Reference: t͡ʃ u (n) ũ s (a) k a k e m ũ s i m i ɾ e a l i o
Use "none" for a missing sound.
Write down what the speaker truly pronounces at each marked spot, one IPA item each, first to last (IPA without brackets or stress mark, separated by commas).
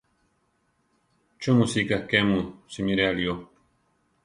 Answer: m, i